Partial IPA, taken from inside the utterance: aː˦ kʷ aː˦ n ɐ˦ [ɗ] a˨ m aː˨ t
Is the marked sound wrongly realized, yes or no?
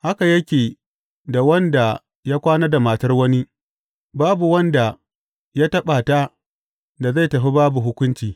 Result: yes